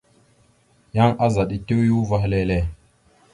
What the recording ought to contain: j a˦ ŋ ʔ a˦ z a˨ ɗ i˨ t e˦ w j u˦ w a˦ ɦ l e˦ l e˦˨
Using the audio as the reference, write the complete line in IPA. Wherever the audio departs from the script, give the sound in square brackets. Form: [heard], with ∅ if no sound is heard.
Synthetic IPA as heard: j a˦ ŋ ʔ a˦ z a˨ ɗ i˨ t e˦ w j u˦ [v] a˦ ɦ l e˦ l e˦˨